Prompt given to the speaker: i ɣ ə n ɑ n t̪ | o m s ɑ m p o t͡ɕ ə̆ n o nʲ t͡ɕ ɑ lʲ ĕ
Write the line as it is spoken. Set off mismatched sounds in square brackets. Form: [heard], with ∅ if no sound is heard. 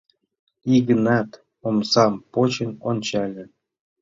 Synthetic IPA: i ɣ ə n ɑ [∅] t̪ | o m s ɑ m p o t͡ɕ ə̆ n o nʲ t͡ɕ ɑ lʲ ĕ